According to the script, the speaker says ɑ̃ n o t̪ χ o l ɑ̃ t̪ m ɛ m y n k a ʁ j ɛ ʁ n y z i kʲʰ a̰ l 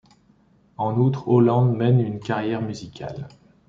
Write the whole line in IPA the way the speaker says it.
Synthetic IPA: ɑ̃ n u t̪ χ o l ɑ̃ d̪ m ɛ n y n k a ʁ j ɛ ʁ m y z i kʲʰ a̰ l